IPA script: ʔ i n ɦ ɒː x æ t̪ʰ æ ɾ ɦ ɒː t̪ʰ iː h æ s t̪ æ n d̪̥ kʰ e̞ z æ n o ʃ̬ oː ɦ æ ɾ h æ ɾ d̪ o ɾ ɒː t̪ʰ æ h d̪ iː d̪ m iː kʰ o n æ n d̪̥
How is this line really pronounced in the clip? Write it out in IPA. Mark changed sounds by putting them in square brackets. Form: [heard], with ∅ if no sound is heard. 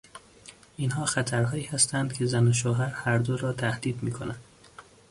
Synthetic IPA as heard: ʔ i n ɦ ɒː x æ t̪ʰ æ ɾ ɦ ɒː [∅] iː h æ s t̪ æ n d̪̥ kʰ e̞ z æ n o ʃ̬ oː ɦ æ ɾ h æ ɾ d̪ o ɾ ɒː t̪ʰ æ h d̪ iː d̪ m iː kʰ o n æ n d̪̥